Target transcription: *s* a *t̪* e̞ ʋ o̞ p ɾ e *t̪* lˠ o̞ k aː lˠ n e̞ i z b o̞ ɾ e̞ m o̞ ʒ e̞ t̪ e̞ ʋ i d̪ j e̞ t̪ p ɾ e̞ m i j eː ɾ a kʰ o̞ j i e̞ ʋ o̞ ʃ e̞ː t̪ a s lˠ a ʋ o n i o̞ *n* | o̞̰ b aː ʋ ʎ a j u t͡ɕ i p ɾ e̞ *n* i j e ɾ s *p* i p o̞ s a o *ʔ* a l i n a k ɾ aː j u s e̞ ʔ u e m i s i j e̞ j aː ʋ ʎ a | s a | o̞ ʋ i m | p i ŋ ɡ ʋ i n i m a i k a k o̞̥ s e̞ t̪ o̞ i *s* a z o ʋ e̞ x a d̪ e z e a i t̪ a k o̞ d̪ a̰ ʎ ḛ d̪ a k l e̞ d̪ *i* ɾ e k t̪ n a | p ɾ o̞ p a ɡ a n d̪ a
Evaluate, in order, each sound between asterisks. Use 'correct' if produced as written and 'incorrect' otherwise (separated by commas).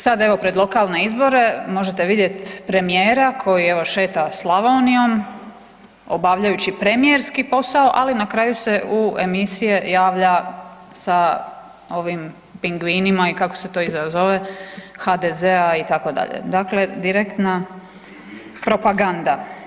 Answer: correct, incorrect, incorrect, incorrect, incorrect, incorrect, correct, incorrect, correct